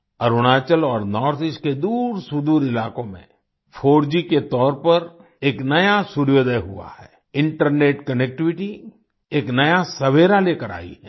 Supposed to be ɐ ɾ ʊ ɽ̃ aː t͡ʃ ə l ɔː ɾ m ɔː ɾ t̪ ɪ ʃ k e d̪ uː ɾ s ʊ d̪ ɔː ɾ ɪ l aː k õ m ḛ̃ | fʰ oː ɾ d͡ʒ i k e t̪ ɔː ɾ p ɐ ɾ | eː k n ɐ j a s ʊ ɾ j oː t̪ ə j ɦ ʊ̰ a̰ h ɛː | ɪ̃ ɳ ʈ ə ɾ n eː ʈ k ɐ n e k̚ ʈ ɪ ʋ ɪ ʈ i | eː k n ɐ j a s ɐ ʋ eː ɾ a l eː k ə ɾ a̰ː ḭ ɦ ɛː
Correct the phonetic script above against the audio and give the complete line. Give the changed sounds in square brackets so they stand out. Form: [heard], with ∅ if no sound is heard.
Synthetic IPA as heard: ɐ ɾ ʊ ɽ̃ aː t͡ʃ ə l ɔː ɾ [n] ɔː ɾ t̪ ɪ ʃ k e d̪ uː ɾ s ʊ d̪ [uː] ɾ ɪ l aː k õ m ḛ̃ | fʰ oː ɾ d͡ʒ i k e t̪ ɔː ɾ p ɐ ɾ | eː k n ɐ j a s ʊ ɾ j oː [d̪] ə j ɦ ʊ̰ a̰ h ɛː | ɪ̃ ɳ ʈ ə ɾ n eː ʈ k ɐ n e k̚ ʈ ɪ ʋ ɪ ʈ i | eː k n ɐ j a s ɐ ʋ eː ɾ a l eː k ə ɾ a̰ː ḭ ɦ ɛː